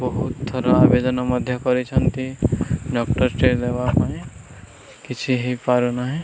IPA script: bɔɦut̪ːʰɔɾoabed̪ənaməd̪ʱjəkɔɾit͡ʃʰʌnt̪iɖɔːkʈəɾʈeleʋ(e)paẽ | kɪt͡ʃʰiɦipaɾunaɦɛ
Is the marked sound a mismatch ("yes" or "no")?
yes